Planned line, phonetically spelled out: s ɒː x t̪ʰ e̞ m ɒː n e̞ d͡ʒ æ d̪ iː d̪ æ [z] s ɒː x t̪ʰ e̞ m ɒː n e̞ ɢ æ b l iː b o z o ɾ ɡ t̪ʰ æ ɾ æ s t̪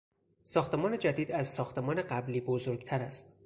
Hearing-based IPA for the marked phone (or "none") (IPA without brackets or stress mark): z